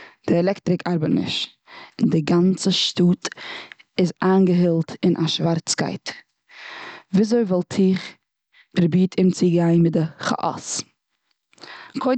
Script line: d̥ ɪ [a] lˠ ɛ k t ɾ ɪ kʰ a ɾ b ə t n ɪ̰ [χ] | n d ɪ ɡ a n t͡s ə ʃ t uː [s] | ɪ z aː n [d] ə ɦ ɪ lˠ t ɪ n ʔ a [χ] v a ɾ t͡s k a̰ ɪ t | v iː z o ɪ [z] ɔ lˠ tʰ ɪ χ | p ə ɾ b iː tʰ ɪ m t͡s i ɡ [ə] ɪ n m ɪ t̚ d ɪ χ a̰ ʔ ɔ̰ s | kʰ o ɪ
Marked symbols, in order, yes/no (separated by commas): no, no, no, no, no, no, no